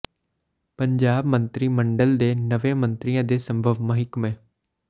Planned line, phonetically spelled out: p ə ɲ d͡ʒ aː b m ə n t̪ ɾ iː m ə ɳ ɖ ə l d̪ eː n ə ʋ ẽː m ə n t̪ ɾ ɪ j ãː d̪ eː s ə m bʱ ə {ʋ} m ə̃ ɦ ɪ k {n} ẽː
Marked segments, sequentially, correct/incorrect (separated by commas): correct, incorrect